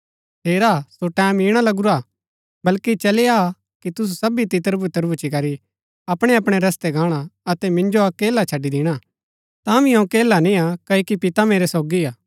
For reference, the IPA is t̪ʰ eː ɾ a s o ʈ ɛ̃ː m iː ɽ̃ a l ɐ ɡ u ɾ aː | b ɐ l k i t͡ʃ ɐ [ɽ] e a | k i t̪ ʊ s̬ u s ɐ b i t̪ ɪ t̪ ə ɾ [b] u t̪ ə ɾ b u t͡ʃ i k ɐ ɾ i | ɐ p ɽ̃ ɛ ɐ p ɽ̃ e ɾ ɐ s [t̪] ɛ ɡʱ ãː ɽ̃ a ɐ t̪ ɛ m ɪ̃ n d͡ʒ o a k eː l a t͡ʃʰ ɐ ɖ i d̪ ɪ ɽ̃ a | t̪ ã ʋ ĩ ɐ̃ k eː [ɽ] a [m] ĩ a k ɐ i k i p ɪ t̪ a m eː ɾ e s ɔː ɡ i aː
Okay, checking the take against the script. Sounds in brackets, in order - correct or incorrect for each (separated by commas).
incorrect, correct, correct, incorrect, incorrect